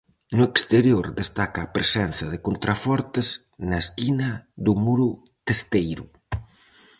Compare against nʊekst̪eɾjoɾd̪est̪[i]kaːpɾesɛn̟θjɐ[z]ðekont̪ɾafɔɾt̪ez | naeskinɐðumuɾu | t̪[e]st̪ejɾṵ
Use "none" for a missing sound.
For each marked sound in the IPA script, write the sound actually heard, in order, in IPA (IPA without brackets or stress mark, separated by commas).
a, none, e